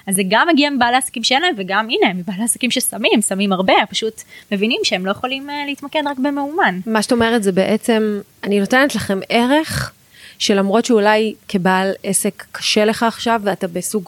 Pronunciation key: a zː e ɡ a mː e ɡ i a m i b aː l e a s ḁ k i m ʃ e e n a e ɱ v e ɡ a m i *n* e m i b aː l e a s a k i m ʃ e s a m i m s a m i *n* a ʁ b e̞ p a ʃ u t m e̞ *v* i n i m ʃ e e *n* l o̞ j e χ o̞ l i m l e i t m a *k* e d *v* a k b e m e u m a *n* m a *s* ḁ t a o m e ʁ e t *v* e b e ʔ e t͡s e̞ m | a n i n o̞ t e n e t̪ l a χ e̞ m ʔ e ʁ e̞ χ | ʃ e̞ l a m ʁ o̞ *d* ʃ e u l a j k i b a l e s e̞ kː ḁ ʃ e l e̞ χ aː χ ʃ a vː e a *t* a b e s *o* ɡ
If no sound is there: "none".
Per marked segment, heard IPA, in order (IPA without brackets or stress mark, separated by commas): n, m, v, m, k, ʁ, n, ʃ, z, t, t, u